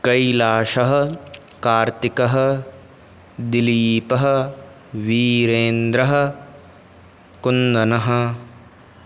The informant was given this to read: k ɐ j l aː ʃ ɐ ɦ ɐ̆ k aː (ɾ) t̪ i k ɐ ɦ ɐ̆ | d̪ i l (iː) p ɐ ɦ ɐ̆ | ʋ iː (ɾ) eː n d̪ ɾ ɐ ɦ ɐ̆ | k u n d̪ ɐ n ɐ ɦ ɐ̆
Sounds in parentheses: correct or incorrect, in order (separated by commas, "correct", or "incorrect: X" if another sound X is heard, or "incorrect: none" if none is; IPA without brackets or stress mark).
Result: correct, correct, correct